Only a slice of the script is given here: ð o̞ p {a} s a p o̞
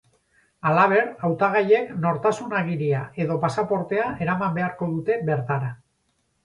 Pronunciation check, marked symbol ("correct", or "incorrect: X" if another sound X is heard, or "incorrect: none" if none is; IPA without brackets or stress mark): correct